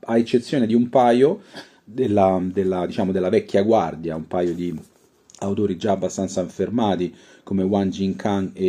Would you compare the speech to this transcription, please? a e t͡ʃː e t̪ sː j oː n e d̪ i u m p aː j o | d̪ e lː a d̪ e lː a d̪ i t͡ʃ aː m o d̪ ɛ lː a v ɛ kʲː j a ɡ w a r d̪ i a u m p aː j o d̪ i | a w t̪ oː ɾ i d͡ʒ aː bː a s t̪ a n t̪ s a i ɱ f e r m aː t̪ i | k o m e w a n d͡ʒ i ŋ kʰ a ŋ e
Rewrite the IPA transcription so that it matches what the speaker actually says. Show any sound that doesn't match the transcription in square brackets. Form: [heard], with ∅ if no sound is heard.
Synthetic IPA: a e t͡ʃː e t̪ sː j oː n e d̪ i u m p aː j o | d̪ e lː a d̪ e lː a d̪ i t͡ʃ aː m o d̪ [e] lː a v ɛ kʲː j a ɡ w a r d̪ [j] a u m p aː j o d̪ i | a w t̪ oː ɾ i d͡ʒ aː bː a s t̪ a n t̪ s a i ɱ f e r m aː t̪ i | k o m e w a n d͡ʒ i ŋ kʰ a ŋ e